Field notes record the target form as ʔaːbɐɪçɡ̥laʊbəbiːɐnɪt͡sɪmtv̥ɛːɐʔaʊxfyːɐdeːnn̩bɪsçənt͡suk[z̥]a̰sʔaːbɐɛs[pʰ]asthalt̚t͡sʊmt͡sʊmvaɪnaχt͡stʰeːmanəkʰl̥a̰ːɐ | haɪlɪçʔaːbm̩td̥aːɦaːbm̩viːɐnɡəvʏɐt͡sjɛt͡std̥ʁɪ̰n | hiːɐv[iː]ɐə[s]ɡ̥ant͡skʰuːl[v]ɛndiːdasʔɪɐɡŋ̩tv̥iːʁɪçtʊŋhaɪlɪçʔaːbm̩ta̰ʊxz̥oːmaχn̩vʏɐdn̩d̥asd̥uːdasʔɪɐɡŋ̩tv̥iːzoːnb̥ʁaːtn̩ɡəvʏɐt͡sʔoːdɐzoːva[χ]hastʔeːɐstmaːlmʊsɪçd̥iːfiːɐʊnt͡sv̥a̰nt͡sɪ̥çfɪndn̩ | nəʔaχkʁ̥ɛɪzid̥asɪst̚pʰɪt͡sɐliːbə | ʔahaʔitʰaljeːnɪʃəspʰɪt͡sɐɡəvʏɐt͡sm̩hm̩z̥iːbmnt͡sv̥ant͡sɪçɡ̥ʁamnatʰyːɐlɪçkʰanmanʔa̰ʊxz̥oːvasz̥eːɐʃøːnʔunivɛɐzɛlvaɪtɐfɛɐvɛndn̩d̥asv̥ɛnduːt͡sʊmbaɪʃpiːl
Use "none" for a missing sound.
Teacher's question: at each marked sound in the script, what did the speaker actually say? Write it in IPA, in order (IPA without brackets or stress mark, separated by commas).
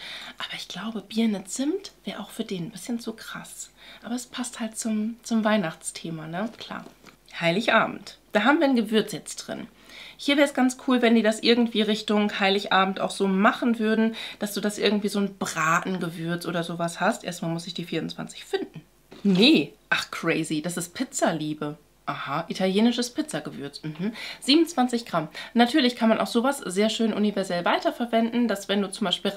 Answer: ʁ̥, pʰ, ɛː, s, v, s